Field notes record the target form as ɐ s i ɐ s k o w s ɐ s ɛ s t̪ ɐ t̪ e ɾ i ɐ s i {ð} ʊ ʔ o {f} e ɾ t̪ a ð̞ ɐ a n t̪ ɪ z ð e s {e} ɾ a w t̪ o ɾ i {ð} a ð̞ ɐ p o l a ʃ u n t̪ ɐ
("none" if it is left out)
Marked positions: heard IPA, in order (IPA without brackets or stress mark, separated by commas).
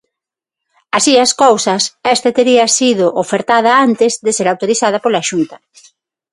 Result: ð, f, e, θ